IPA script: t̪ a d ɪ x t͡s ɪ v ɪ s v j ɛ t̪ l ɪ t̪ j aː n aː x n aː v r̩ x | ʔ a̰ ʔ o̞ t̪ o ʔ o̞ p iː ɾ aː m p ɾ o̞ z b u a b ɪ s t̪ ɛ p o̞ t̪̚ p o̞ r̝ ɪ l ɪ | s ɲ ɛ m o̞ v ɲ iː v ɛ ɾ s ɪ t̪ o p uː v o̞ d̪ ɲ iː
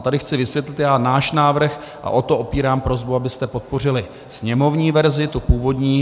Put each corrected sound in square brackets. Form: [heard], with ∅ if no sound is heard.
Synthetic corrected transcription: t̪ a d ɪ x t͡s ɪ v ɪ s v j ɛ t̪ l ɪ t̪ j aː n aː [ʃ] n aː v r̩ x | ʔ a̰ ʔ o̞ t̪ o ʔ o̞ p iː ɾ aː m p ɾ o̞ z b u a b ɪ s t̪ ɛ p o̞ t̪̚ p o̞ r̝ ɪ l ɪ | s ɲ ɛ m o̞ v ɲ iː v ɛ ɾ [z] ɪ t̪ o p uː v o̞ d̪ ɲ iː